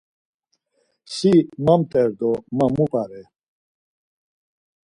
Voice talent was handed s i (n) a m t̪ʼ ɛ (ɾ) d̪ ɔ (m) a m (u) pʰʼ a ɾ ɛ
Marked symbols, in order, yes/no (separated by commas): no, yes, yes, yes